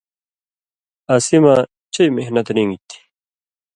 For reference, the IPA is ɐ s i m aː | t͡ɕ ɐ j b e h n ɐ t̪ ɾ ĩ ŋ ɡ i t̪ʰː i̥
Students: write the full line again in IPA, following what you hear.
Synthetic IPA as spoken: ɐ s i m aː | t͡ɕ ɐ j m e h n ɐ t̪ ɾ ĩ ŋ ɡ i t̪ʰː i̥